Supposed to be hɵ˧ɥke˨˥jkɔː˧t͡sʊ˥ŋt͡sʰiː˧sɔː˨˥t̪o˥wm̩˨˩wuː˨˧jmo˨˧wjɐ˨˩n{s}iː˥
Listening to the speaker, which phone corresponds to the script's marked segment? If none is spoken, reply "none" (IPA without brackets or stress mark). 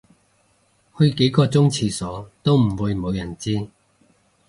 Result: t͡s